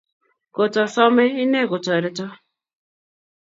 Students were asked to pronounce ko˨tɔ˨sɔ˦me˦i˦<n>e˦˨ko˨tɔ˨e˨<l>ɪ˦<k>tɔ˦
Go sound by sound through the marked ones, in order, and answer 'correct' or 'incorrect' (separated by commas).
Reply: correct, incorrect, incorrect